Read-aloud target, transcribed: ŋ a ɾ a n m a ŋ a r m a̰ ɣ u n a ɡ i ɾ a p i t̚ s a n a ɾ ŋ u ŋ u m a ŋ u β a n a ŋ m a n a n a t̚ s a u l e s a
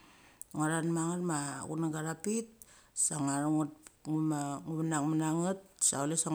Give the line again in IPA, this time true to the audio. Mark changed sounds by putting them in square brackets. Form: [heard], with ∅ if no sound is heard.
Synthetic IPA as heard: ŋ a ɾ a n m a ŋ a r m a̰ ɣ u n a ɡ [a] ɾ a p i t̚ s a [ŋ] a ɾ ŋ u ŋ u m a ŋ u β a n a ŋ m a n a [ŋ] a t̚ s a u l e s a